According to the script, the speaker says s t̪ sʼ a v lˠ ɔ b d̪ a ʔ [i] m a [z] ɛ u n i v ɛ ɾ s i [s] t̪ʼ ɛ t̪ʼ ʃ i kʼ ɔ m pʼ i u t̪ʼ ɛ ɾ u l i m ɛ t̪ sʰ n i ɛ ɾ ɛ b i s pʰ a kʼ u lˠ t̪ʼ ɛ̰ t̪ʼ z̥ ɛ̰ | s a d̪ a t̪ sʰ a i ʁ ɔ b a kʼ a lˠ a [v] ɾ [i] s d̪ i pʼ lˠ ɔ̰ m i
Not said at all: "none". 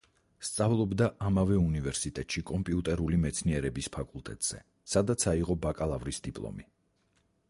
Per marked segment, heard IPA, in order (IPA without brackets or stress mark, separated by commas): a, v, none, v, i